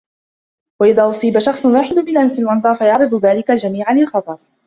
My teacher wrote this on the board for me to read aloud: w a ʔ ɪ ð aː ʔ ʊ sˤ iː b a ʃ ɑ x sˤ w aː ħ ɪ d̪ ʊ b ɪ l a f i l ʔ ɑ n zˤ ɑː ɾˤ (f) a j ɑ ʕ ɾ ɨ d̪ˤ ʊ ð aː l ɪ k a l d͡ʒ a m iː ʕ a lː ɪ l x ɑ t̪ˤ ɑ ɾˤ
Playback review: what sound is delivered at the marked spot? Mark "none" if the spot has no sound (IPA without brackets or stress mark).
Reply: f